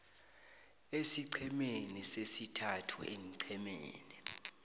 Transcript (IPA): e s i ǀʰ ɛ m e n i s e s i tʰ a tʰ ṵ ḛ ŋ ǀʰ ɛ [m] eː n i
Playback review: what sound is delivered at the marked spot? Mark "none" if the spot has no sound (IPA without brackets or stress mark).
m